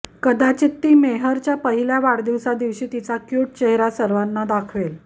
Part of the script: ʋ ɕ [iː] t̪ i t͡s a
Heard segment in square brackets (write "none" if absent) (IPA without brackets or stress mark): iː